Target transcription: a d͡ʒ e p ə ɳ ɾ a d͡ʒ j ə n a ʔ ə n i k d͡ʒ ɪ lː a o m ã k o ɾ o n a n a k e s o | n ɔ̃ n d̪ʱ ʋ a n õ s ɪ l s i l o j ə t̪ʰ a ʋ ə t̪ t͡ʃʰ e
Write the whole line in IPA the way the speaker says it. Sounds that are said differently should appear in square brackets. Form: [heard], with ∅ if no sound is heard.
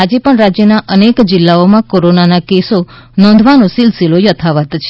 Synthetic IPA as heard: a d͡ʒ e p ə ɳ ɾ a d͡ʒ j ə n a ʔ ə n [e] k d͡ʒ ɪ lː a o m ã k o ɾ o n a n a k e s o | n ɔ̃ n d̪ʱ ʋ a n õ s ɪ l s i l o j ə t̪ʰ a ʋ ə t̪ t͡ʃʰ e